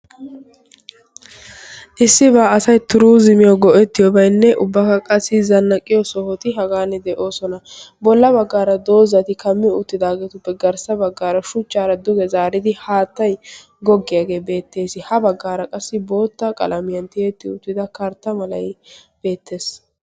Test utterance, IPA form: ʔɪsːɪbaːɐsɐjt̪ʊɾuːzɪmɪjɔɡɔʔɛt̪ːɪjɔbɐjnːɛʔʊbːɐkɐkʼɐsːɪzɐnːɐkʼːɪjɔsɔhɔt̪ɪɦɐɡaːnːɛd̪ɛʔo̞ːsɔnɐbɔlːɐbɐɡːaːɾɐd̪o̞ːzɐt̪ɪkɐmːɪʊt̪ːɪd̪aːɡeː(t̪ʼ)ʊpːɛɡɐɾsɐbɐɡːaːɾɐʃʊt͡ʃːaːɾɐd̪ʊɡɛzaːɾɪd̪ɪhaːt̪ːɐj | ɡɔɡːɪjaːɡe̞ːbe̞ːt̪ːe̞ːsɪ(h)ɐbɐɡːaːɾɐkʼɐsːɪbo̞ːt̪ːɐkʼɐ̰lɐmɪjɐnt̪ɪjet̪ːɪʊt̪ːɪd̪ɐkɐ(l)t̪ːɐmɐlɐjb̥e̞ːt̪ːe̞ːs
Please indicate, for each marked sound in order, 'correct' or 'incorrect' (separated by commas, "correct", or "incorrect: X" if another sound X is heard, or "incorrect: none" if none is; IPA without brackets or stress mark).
incorrect: t̪, correct, incorrect: ɾ